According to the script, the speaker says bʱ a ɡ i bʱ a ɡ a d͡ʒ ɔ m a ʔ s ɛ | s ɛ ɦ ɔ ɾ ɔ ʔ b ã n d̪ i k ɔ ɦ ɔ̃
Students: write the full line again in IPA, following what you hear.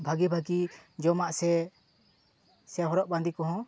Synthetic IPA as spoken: bʱ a ɡ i bʱ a ɡ i d͡ʒ ɔ m a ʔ s ɛ | s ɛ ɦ ɔ ɾ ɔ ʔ b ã n d̪ i k ɔ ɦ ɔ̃